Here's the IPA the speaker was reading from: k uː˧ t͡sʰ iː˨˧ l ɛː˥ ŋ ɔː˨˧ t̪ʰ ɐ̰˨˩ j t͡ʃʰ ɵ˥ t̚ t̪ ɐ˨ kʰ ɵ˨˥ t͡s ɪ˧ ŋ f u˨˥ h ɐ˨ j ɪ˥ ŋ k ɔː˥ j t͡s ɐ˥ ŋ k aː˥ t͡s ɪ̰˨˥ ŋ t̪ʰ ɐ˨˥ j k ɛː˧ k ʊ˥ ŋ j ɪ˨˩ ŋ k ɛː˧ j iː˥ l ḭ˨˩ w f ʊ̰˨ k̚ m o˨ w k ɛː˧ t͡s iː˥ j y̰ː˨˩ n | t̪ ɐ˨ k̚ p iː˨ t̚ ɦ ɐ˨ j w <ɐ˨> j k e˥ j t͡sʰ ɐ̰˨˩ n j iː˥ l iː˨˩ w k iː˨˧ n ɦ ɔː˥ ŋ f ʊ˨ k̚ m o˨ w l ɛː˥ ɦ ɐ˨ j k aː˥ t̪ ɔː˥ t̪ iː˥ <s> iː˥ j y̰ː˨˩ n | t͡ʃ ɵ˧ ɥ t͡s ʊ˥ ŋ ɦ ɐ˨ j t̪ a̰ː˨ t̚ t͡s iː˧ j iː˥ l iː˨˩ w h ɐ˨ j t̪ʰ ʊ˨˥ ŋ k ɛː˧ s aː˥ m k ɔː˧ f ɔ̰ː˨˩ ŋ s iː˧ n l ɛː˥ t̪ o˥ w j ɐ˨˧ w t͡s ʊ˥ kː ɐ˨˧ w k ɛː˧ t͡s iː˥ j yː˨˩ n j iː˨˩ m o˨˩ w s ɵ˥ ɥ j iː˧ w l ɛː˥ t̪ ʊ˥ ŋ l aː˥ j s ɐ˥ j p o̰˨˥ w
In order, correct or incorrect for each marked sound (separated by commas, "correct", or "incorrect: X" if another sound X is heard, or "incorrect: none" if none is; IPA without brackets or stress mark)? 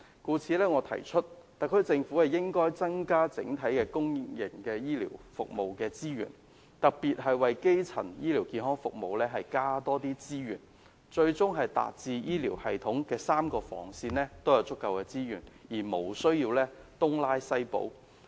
correct, incorrect: t͡s